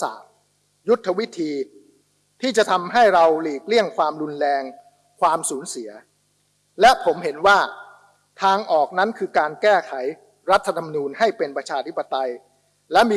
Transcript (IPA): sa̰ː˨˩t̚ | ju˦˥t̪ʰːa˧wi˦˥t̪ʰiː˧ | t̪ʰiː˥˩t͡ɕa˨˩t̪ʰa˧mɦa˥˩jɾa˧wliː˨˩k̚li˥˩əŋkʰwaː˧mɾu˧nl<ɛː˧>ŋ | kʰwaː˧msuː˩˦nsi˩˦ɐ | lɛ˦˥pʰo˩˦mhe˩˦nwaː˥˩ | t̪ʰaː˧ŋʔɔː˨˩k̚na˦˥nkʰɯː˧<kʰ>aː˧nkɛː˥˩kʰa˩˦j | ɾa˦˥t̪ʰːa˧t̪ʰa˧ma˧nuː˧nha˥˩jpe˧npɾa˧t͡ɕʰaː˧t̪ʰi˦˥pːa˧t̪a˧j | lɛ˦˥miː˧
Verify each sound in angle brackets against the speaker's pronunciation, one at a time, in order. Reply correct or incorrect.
correct, incorrect: k

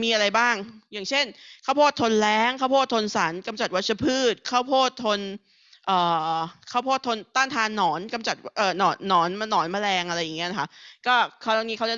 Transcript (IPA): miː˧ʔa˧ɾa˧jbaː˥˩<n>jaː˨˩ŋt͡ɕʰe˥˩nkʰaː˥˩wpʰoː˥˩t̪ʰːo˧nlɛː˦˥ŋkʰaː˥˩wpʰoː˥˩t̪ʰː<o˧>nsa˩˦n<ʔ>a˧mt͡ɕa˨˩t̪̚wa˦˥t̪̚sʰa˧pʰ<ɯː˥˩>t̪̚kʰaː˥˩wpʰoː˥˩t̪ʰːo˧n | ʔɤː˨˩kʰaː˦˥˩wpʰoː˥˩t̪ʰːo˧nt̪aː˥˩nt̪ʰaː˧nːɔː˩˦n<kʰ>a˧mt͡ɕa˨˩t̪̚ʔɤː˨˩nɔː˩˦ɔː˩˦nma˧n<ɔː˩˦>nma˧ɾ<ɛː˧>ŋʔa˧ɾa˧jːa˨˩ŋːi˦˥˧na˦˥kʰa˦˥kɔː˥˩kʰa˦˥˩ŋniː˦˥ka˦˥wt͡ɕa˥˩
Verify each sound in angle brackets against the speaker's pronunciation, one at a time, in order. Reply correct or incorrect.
incorrect: ŋ, correct, incorrect: k, correct, incorrect: k, correct, correct

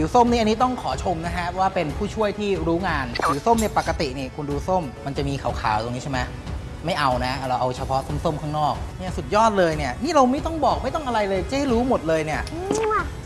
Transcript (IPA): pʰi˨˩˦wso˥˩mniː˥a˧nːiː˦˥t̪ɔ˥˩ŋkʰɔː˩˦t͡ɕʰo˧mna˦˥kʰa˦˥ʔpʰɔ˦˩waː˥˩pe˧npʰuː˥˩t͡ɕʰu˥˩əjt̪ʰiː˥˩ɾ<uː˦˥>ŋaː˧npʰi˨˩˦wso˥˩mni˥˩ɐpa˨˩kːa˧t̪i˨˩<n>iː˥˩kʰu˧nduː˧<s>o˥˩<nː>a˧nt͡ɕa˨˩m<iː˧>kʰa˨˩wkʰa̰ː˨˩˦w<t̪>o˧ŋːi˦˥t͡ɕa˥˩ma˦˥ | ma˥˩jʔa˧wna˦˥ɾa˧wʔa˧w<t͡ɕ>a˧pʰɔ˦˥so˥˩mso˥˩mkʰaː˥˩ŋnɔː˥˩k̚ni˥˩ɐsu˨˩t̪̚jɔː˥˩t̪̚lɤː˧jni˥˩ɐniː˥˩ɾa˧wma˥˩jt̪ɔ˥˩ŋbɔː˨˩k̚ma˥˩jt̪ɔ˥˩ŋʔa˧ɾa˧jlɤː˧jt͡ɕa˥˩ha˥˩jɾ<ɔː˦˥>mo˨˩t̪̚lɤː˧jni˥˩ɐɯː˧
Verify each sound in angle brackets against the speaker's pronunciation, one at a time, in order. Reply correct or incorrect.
correct, correct, correct, incorrect: mː, correct, correct, incorrect: t͡ɕʰ, incorrect: uː˦˥

